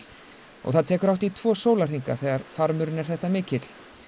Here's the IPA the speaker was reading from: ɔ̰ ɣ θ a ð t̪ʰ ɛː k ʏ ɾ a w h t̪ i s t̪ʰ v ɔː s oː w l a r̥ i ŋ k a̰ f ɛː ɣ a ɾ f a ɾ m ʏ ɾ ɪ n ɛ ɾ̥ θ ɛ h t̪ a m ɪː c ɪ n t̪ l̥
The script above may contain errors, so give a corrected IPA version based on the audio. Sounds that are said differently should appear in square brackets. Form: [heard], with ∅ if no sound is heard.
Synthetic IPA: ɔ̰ ɣ θ a ð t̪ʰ ɛː k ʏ ɾ a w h t̪ i [∅] t̪ʰ v ɔː s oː w l a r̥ i ŋ k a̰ [θ] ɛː ɣ a ɾ f a ɾ m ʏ ɾ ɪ n ɛ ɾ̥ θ ɛ h t̪ a m ɪː c ɪ [∅] t̪ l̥